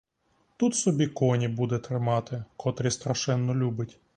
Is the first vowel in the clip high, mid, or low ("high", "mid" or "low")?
high